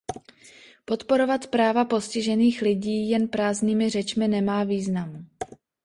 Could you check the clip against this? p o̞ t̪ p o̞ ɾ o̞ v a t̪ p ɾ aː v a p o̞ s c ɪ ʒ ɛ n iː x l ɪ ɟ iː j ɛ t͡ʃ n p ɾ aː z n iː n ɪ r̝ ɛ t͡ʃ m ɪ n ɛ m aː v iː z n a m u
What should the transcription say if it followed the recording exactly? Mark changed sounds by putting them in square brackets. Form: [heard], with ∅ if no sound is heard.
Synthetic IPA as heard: p o̞ t̪ p o̞ ɾ o̞ v a t̪ p ɾ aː v a p o̞ s c ɪ ʒ ɛ n iː x l ɪ ɟ iː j ɛ [∅] n p ɾ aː z n iː [m] ɪ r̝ ɛ t͡ʃ m ɪ n ɛ m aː v iː z n a m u